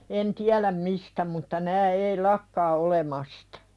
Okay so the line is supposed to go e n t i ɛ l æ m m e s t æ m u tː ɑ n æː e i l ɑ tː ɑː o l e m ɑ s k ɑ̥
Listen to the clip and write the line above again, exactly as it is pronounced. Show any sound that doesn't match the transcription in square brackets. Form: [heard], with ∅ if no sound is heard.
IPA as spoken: e n t i [æ] l æ m m [i] s t æ m u tː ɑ n æː e i l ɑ [kː] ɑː o l e m ɑ s [t] ɑ̥